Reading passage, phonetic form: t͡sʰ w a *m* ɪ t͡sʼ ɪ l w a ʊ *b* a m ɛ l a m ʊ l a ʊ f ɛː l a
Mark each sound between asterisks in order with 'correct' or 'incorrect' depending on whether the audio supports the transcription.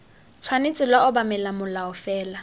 incorrect: n, correct

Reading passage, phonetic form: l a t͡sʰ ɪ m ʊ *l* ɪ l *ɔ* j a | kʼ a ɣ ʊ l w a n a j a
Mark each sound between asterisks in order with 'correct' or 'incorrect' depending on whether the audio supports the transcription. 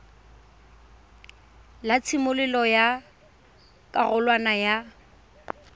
correct, correct

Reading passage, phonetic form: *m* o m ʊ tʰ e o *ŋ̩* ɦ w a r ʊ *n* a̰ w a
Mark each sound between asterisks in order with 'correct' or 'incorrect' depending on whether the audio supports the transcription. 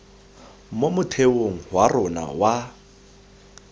correct, correct, correct

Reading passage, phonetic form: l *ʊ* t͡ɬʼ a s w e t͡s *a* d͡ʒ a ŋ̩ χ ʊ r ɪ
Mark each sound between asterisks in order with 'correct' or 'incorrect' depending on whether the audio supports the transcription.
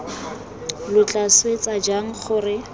correct, correct

